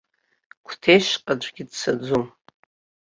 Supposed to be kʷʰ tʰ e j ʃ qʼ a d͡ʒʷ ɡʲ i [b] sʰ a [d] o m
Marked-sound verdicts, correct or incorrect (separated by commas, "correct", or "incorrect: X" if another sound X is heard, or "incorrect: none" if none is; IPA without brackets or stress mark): incorrect: d, incorrect: d͡z